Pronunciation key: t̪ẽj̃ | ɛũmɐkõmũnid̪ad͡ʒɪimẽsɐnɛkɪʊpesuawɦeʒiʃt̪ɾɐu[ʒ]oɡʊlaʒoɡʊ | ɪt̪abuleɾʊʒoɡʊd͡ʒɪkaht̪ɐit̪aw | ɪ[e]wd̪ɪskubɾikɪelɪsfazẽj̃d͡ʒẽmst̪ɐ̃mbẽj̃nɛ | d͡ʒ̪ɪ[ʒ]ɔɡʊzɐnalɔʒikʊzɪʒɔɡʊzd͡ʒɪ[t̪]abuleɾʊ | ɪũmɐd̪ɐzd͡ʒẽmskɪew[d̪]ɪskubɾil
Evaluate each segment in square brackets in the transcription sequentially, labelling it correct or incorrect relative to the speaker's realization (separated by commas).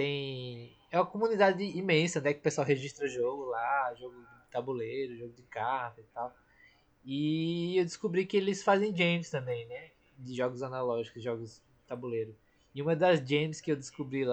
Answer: correct, correct, correct, correct, correct